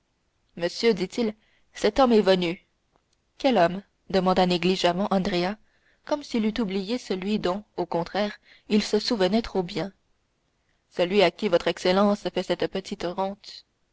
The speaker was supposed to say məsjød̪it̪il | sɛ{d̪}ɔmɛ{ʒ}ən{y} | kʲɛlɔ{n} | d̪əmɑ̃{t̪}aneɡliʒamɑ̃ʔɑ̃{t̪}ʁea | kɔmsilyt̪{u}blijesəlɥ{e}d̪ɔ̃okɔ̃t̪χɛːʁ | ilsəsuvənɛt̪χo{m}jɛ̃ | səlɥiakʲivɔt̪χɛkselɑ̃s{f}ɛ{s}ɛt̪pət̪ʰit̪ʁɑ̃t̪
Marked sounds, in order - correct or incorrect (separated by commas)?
incorrect, incorrect, correct, incorrect, incorrect, incorrect, correct, incorrect, incorrect, correct, correct